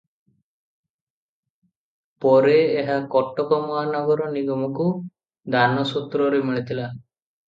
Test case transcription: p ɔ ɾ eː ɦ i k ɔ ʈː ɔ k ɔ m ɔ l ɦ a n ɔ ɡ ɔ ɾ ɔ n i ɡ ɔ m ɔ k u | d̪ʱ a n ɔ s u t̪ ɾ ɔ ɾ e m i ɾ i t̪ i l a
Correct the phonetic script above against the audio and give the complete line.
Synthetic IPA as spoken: p ɔ ɾ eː ɦ a k ɔ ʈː ɔ k ɔ m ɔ ɦ a n ɔ ɡ ɔ ɾ ɔ n i ɡ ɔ m ɔ k u | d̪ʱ a n ɔ s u t̪ ɾ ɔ ɾ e m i ɭ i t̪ i l a